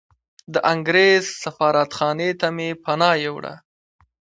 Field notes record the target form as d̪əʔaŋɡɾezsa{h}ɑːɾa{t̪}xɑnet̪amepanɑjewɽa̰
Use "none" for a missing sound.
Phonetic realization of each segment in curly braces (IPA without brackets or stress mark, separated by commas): f, t̪